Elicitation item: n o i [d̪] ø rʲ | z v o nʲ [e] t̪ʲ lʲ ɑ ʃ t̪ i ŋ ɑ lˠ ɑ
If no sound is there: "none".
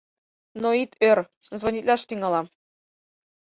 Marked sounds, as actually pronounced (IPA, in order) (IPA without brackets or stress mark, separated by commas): t̪, i